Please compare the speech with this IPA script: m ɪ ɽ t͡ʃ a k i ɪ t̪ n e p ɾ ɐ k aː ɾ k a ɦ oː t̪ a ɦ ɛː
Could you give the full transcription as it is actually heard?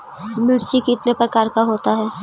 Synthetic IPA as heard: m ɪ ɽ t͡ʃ i k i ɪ t̪ n e p ɾ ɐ k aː ɾ k a ɦ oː t̪ a ɦ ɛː